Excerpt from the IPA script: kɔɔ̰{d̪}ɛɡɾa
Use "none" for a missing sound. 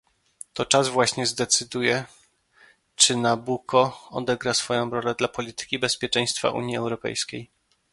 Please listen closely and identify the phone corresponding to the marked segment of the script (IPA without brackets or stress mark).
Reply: d̪